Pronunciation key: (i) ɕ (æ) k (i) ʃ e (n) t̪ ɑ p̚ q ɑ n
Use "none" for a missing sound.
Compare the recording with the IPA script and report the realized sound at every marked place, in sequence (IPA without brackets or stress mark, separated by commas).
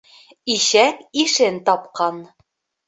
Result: i, æ, i, n